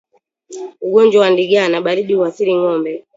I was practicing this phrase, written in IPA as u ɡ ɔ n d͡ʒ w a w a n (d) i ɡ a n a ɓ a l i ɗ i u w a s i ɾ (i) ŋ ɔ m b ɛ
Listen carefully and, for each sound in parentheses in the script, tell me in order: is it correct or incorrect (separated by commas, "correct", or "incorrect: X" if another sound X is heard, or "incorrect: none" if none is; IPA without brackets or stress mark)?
correct, correct